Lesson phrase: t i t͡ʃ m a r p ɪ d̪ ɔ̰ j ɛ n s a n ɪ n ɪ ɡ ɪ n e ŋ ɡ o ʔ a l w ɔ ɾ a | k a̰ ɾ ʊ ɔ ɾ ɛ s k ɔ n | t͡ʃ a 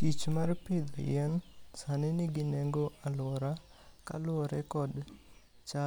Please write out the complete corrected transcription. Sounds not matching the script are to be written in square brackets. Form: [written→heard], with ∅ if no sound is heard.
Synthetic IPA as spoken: t i t͡ʃ m a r p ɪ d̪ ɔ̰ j ɛ n s a n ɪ n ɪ ɡ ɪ n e ŋ ɡ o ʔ a l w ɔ ɾ a | k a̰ [ɾ→l] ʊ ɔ ɾ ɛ [s→∅] k ɔ [n→d] | t͡ʃ a